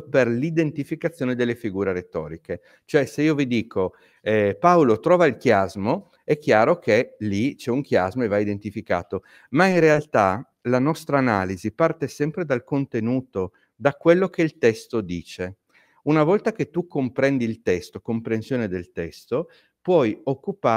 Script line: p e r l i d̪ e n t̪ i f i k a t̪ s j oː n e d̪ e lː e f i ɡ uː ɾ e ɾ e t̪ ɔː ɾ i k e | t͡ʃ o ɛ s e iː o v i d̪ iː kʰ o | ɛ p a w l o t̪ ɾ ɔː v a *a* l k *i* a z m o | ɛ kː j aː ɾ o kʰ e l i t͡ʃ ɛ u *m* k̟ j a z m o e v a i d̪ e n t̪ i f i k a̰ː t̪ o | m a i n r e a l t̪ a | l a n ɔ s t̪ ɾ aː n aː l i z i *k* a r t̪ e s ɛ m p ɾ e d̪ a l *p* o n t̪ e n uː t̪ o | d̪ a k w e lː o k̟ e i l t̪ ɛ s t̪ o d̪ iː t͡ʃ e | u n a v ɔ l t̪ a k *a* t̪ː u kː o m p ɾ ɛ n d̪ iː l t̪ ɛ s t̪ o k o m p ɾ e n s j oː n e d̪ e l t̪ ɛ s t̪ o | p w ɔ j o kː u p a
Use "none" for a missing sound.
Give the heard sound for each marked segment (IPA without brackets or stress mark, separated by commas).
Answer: i, j, ŋ, p, k, e